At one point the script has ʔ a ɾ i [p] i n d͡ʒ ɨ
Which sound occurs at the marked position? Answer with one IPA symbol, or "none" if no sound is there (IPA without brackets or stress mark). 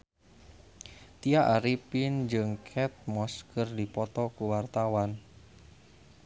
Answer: p